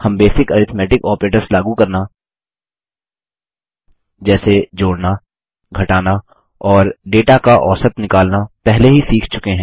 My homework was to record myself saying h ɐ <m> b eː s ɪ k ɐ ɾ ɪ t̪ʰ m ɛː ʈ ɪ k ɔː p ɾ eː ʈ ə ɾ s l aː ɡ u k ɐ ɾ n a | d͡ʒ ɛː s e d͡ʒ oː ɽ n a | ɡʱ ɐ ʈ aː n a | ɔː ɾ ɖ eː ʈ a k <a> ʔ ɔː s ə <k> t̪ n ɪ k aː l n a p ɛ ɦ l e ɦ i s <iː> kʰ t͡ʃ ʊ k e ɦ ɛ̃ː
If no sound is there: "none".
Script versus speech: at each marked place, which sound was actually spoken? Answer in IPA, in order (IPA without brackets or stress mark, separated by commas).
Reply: m, a, none, iː